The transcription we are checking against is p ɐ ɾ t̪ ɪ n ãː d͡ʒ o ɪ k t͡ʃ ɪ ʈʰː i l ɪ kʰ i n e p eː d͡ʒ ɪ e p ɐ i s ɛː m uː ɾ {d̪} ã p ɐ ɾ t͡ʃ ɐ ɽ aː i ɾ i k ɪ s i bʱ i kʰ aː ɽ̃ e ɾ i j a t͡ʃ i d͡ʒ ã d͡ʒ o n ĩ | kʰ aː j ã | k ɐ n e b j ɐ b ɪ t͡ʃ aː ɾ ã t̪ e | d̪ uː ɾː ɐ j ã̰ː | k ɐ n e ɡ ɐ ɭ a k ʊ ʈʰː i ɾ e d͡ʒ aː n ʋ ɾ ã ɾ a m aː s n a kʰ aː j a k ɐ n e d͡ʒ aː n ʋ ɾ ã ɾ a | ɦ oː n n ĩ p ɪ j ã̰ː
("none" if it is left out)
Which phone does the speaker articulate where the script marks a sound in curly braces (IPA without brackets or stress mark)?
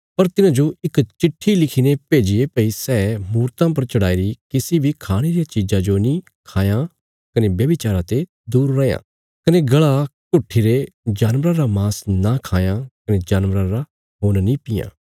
t̪